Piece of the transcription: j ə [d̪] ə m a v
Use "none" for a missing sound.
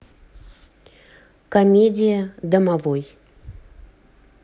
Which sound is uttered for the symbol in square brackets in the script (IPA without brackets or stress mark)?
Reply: d̪